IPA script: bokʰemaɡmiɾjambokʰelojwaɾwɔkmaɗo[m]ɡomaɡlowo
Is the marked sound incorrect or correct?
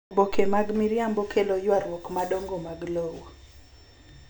incorrect